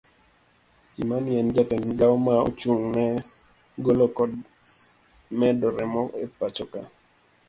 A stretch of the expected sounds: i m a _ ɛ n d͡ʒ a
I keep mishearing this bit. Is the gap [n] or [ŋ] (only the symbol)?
n